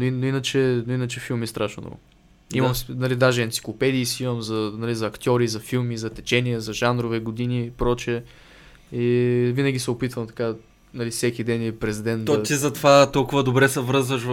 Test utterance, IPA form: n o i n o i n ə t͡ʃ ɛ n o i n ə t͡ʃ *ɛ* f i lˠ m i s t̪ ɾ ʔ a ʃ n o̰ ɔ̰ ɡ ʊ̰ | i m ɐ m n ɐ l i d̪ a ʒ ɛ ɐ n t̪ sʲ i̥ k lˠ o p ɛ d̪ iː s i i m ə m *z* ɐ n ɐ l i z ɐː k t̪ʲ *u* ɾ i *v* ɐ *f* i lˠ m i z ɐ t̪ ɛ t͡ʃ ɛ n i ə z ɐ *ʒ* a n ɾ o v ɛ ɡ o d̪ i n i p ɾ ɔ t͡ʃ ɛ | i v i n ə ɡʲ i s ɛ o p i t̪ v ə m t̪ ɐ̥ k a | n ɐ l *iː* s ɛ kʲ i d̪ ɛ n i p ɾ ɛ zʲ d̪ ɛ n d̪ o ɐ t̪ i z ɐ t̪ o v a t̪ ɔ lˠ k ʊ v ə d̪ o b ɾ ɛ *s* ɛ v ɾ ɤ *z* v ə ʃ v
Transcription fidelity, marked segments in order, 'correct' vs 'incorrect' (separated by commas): correct, correct, incorrect, incorrect, correct, correct, incorrect, correct, correct